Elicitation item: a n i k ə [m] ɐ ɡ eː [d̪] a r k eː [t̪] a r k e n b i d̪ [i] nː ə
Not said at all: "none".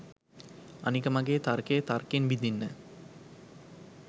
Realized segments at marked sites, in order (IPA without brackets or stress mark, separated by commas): m, t̪, t̪, i